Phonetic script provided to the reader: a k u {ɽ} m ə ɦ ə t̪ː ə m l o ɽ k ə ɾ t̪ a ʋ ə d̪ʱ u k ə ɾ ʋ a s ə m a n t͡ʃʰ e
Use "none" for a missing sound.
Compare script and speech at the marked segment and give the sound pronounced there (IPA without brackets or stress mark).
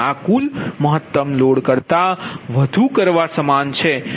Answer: l